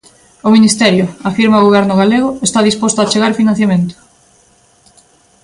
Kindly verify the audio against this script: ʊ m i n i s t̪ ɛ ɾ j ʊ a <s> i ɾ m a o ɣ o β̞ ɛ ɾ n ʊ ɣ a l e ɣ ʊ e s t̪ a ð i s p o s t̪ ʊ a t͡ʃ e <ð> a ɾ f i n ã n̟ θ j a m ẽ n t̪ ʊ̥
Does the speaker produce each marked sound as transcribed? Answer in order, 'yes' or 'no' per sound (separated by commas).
no, no